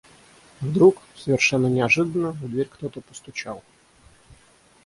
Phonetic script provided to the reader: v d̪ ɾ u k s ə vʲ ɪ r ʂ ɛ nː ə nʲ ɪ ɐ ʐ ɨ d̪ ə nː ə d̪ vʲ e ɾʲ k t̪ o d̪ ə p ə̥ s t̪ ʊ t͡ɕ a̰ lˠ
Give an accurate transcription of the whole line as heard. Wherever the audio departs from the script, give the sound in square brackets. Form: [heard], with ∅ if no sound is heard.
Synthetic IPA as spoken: v d̪ ɾ u k s ə vʲ ɪ r ʂ ɛ nː ə nʲ ɪ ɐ ʐ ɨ d̪ ə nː ə d̪ vʲ e ɾʲ k t̪ o [t̪] ə p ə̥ s t̪ ʊ t͡ɕ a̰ lˠ